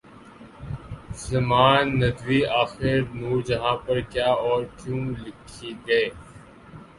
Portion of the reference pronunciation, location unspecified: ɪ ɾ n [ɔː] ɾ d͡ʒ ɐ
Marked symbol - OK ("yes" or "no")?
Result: no